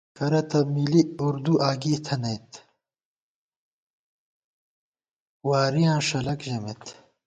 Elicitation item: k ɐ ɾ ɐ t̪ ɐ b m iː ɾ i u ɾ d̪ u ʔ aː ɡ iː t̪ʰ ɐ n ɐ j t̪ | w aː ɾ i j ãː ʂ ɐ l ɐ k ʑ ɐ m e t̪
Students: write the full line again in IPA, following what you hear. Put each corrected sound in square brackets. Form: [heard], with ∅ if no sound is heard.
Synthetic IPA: k ɐ ɾ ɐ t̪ ɐ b m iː [l] i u ɾ d̪ u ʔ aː ɡ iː t̪ʰ ɐ n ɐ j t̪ | w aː ɾ i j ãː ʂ ɐ l ɐ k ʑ ɐ m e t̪